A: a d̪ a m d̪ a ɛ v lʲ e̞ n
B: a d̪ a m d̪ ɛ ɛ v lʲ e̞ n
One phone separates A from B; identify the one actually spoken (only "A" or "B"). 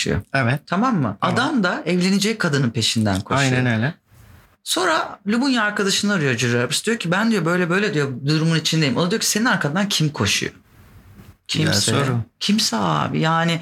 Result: A